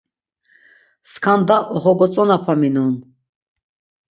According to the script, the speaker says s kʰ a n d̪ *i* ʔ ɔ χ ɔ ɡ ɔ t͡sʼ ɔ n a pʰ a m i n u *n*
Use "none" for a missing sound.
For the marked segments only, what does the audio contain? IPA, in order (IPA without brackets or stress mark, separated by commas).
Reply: a, n